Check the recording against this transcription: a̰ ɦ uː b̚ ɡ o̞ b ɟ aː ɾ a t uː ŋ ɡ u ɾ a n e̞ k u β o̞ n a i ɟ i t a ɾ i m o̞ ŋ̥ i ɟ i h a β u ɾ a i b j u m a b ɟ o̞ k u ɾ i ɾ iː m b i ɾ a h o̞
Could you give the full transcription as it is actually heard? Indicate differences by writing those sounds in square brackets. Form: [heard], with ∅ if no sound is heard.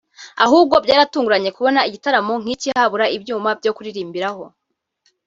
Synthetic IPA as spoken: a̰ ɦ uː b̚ ɡ o̞ b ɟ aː ɾ a t uː ŋ ɡ u ɾ a [ɲ] e̞ k u β o̞ n a i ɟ i t a ɾ [a] m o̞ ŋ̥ i [c] i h a β u ɾ a i b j [uː] m a b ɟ o̞ k u ɾ i ɾ iː m b i ɾ a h o̞